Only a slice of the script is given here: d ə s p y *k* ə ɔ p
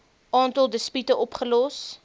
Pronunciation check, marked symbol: incorrect: t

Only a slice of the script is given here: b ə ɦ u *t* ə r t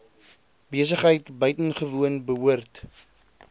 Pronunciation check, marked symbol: incorrect: none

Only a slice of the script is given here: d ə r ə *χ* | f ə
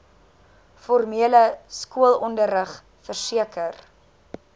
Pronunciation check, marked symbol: correct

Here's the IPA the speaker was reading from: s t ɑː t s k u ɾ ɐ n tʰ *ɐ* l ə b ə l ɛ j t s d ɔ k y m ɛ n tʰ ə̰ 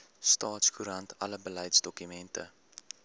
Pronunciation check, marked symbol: correct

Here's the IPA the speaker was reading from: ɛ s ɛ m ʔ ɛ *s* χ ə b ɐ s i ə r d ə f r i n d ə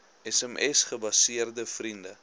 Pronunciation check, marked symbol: correct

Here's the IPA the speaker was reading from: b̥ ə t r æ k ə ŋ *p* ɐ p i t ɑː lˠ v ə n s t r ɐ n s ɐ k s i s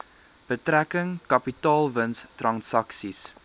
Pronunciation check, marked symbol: incorrect: k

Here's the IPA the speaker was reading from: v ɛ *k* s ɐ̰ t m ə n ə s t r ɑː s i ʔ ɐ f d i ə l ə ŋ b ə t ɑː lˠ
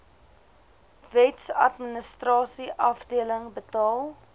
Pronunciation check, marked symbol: incorrect: t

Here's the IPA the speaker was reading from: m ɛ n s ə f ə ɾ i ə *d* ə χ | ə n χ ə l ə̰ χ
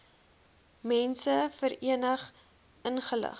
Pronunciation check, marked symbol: incorrect: n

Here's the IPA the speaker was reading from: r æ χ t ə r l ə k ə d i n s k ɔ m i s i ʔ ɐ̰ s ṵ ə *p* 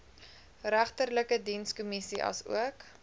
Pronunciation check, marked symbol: incorrect: k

